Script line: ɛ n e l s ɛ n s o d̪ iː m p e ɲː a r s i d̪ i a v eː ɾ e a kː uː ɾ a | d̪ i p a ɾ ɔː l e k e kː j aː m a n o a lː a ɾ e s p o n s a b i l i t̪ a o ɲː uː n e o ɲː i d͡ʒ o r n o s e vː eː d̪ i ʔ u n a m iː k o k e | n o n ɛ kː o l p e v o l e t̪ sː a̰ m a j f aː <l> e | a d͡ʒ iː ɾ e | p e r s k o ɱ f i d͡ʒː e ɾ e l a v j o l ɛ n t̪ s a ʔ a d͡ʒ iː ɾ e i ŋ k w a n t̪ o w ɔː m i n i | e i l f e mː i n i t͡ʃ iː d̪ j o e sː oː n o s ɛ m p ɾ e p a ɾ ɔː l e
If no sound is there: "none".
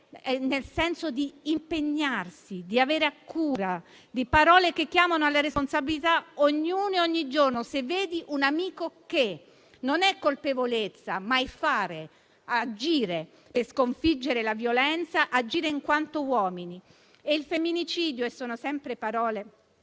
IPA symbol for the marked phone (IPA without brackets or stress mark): ɾ